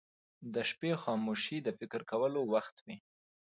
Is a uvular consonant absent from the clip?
yes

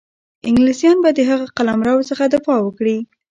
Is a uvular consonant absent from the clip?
no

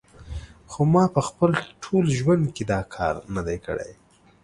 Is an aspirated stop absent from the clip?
no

